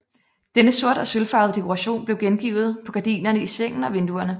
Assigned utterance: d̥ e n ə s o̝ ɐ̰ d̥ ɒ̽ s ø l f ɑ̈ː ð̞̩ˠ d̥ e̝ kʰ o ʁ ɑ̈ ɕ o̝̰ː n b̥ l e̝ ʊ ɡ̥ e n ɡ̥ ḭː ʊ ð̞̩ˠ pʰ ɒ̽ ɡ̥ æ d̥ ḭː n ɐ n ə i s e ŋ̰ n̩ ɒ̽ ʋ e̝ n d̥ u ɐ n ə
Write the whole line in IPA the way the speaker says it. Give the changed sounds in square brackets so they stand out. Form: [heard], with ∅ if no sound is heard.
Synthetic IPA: d̥ e n ə s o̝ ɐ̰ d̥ ɒ̽ s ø l f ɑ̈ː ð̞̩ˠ d̥ e̝ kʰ o ʁ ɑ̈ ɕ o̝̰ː n b̥ l e̝ ʊ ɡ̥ e n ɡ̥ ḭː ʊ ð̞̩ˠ pʰ ɒ̽ ɡ̥ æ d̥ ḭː n ɐ n ə i s e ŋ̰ n̩ ɒ̽ ʋ e̝ n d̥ u ɐ n ə